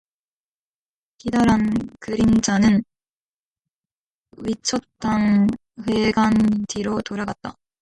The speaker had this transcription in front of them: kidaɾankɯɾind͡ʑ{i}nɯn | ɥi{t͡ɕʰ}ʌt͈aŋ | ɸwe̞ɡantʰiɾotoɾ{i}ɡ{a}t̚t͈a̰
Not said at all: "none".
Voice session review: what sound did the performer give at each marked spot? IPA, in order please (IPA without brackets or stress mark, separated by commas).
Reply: a, t͡ɕʰ, a, a